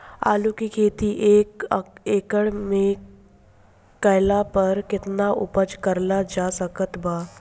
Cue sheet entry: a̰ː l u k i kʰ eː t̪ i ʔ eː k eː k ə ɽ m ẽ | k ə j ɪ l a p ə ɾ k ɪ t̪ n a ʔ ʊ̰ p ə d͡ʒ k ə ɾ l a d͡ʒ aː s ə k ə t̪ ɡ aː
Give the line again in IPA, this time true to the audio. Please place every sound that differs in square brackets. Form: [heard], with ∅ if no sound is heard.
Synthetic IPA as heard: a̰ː l u k i kʰ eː t̪ i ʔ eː k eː k ə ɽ m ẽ | k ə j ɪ l a p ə ɾ k ɪ t̪ n a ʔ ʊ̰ p ə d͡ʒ k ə ɾ l a d͡ʒ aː s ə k ə t̪ [b] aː